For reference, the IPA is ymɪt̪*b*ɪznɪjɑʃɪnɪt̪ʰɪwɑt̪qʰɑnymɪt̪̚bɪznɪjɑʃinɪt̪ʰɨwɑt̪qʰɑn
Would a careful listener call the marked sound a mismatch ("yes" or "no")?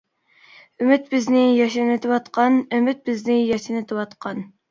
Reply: no